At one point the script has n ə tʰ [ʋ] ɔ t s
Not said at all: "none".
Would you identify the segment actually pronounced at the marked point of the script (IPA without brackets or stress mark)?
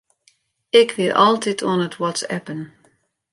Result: w